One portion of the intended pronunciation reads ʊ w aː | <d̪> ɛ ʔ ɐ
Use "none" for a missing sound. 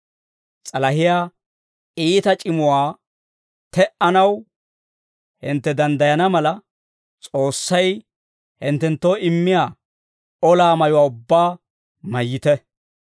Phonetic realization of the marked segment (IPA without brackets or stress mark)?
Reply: t̪